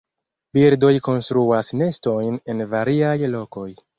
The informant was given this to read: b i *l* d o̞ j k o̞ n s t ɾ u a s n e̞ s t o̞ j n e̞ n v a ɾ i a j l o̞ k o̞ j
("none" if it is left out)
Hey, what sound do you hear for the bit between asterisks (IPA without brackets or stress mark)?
ɾ